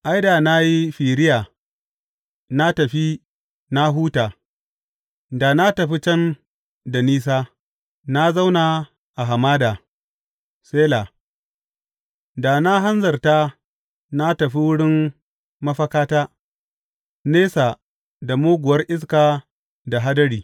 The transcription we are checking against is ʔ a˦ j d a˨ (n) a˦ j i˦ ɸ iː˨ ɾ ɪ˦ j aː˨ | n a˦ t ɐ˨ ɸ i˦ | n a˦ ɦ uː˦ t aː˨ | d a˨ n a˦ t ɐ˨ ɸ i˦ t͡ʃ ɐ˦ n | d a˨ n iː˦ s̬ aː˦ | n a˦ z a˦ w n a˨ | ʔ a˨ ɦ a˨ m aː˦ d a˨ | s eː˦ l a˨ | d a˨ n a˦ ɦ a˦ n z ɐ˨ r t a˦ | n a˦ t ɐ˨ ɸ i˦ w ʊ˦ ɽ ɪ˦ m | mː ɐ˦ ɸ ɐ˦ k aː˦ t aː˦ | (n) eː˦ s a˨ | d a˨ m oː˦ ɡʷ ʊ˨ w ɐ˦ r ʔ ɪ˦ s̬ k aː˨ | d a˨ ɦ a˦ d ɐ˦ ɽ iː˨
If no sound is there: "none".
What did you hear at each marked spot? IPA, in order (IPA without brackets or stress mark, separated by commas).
n, n